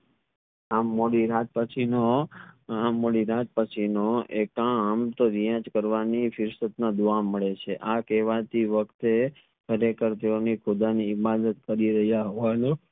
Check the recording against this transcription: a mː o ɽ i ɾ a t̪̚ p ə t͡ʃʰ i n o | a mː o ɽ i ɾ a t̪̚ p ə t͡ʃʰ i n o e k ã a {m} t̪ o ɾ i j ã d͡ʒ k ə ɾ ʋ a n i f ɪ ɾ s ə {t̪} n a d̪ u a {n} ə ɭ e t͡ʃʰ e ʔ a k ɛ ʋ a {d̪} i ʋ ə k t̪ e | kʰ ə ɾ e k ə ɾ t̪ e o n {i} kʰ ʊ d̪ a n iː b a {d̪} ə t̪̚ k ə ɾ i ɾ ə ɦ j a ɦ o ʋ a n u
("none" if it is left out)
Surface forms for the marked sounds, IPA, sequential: m, t̪, m, t̪, i, d̪

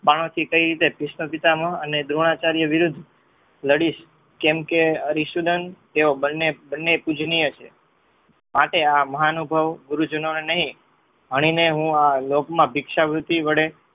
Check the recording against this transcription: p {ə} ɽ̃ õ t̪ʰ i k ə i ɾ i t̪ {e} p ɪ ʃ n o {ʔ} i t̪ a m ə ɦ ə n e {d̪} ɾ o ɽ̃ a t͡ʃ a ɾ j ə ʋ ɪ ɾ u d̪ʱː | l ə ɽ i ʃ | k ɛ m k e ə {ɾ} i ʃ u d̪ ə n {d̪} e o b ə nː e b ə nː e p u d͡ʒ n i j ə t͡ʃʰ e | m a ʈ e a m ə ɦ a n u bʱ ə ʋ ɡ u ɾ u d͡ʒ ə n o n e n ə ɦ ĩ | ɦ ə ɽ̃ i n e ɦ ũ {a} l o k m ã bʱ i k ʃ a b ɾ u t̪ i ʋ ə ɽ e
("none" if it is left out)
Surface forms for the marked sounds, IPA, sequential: a, e, p, d̪, ɾ, t̪, a

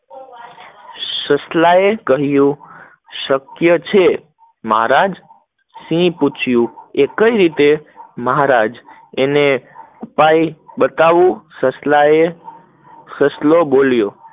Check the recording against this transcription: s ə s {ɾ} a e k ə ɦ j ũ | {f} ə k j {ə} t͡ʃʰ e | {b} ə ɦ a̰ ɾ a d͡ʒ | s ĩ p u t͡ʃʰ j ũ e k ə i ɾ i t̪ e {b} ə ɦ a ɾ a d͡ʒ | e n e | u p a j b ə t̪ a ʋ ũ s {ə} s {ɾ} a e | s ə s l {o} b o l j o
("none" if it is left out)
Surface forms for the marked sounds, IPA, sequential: l, ʃ, ə, m, m, ə, l, o

